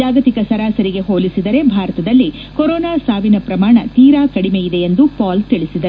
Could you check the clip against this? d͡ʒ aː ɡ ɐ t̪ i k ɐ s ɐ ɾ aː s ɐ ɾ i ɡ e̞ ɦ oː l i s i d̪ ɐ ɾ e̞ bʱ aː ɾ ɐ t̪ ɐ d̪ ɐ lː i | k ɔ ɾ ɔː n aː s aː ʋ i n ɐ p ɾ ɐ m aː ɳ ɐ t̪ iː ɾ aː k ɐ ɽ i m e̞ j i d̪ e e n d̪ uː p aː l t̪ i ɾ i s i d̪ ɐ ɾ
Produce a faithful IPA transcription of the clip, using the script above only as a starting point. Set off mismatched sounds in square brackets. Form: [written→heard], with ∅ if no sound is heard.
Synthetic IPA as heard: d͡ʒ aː ɡ ɐ t̪ i k ɐ s ɐ ɾ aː s ɐ ɾ i ɡ e̞ ɦ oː l i s i d̪ ɐ ɾ e̞ bʱ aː ɾ ɐ t̪ ɐ d̪ ɐ lː i | k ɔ ɾ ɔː n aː s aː ʋ i n ɐ p ɾ ɐ m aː ɳ ɐ t̪ iː ɾ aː k ɐ ɽ i m e̞ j i d̪ e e n d̪ [uː→u] p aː l t̪ i [ɾ→ɭ] i s i d̪ ɐ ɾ